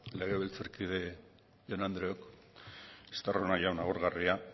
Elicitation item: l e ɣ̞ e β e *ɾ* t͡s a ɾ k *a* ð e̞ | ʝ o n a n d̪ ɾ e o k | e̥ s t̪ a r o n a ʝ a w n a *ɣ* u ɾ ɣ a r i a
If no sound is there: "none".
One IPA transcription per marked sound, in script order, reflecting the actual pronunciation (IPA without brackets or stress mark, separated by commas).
l, i, ɣ